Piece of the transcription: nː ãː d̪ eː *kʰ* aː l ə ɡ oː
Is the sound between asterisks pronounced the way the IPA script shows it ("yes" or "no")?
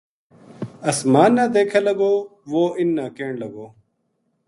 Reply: yes